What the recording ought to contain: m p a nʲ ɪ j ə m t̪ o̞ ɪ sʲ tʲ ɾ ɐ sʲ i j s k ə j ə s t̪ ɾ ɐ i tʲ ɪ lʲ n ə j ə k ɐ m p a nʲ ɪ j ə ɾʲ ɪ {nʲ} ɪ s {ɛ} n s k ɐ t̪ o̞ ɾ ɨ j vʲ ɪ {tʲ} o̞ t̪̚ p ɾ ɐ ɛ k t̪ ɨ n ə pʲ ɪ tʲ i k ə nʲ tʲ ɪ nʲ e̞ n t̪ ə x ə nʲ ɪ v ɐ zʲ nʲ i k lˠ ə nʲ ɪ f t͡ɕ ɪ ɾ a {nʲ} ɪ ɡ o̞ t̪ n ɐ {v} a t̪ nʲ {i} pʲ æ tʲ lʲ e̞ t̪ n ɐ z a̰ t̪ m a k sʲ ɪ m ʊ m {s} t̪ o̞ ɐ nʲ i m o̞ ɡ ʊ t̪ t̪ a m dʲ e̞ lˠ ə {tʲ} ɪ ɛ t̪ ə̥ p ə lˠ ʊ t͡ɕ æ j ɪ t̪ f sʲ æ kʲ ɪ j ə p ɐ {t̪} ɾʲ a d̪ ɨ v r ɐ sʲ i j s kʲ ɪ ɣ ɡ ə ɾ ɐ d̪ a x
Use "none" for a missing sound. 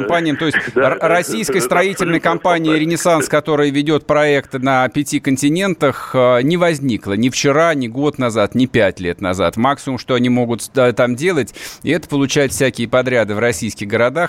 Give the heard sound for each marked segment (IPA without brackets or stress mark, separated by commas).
nʲ, a, dʲ, nʲ, z, ɪ, ʂ, tʲ, d̪